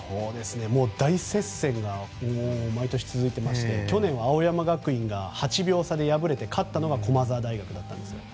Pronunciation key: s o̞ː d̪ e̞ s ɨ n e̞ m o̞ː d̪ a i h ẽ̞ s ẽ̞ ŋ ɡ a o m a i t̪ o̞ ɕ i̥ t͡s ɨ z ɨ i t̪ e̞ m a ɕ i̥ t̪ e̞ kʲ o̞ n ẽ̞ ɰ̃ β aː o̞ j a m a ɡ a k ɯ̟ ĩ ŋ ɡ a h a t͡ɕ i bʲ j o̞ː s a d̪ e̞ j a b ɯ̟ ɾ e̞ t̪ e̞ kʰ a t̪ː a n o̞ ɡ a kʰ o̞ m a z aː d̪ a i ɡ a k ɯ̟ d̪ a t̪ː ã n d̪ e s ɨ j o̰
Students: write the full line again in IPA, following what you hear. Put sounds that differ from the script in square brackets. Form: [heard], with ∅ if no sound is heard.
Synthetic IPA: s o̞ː d̪ e̞ s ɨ n e̞ m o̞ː d̪ a i [s] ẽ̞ s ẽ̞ ŋ ɡ a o m a i t̪ o̞ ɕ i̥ t͡s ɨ z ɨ i t̪ e̞ m a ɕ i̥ t̪ e̞ kʲ o̞ n ẽ̞ ɰ̃ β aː o̞ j a m a ɡ a k ɯ̟ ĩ ŋ ɡ a h a t͡ɕ i bʲ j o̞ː s a d̪ e̞ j a b ɯ̟ ɾ e̞ t̪ e̞ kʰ a t̪ː a n o̞ ɡ a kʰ o̞ m a z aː d̪ a i ɡ a k ɯ̟ d̪ a t̪ː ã n d̪ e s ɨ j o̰